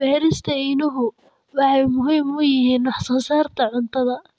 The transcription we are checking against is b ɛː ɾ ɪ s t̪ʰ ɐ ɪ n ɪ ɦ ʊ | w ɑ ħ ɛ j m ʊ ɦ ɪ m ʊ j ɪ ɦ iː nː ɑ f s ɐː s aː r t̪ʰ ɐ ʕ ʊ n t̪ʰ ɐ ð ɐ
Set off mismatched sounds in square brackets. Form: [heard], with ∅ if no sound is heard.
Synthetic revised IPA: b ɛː ɾ ɪ s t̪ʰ ɐ ɪ n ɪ ɦ ʊ | w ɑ ħ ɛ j m ʊ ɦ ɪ m ʊ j ɪ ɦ iː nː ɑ [ħ] s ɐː s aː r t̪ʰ ɐ ʕ ʊ n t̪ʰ ɐ ð ɐ